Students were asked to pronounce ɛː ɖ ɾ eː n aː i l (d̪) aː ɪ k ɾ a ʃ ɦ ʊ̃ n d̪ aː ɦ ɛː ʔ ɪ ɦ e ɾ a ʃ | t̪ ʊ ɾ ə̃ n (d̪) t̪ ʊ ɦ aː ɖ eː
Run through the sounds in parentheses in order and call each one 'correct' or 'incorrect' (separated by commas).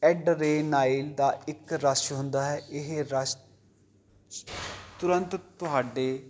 correct, incorrect